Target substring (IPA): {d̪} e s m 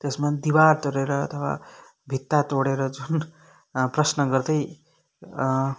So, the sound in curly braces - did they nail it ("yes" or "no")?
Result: no